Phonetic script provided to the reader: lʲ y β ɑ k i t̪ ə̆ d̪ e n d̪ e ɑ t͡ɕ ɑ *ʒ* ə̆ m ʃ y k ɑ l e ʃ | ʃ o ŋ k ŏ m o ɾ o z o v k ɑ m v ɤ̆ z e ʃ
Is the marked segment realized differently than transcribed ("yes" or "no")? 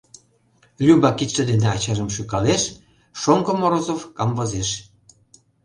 no